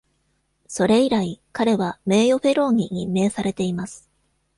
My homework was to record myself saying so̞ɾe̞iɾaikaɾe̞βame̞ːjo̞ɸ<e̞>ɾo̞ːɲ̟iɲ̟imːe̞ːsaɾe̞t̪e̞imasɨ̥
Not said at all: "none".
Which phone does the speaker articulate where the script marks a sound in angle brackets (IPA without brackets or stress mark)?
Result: e̞